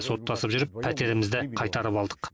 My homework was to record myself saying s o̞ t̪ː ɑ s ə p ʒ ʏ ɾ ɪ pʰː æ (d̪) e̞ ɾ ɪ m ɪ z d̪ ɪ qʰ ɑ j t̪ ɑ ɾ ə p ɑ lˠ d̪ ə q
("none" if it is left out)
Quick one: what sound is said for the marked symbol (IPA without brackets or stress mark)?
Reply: t̪